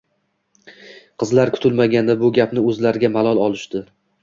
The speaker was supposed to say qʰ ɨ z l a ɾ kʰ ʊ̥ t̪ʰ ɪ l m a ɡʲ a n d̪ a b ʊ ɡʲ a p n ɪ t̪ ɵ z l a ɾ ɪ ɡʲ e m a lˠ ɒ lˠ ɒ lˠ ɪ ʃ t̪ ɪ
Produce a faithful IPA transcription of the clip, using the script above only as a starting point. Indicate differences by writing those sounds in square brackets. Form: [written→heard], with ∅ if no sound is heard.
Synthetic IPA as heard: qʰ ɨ z l a ɾ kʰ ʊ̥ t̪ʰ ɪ l m a ɡʲ a n d̪ a b ʊ ɡʲ a p n ɪ [t̪→∅] ɵ z l a ɾ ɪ ɡʲ [e→a] m a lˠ ɒ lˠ ɒ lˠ ɪ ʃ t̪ ɪ